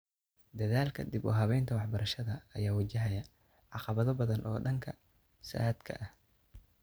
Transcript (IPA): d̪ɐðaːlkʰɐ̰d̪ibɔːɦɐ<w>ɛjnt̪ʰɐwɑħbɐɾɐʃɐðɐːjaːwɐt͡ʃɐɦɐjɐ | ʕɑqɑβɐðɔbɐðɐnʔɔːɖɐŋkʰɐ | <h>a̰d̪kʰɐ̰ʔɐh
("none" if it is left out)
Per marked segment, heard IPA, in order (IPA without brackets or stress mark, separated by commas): β, s